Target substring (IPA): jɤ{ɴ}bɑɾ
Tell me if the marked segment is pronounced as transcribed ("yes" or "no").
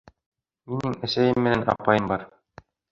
no